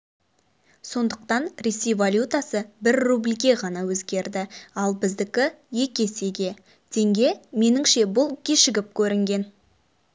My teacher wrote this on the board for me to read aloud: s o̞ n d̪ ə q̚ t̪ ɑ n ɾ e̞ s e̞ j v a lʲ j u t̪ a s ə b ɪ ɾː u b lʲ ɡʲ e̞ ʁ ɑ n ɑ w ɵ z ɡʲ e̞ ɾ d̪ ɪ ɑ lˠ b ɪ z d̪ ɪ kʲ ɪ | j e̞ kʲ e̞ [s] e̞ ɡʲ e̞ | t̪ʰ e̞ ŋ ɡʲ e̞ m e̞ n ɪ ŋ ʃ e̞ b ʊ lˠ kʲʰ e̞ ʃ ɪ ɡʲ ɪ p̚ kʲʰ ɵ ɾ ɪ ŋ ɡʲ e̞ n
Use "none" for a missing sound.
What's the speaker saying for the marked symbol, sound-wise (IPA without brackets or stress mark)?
s